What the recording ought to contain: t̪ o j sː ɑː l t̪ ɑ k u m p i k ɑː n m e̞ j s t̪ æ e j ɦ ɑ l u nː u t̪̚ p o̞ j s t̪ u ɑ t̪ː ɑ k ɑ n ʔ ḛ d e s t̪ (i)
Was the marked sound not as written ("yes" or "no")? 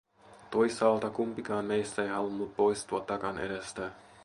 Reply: yes